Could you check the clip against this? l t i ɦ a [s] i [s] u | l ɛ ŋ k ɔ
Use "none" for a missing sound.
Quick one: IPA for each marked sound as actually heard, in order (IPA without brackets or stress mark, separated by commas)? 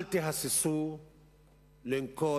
s, s